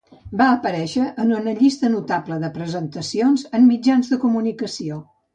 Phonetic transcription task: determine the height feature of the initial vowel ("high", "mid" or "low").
low